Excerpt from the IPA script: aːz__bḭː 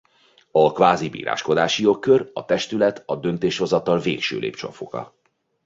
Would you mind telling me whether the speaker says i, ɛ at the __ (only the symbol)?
i